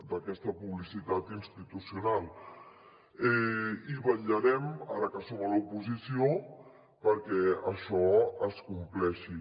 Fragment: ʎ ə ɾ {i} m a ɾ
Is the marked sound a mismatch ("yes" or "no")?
yes